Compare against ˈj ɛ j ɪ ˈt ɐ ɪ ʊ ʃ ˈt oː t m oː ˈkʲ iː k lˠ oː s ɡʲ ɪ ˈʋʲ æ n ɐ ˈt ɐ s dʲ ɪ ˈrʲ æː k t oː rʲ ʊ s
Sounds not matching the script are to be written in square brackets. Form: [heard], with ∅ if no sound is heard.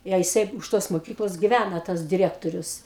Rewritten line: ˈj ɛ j ɪ [ˈs] ɐ ɪ ʊ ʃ ˈt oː [s] m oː ˈkʲ iː k lˠ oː s ɡʲ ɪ ˈʋʲ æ n ɐ ˈt ɐ s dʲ ɪ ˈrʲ æː k t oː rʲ ʊ s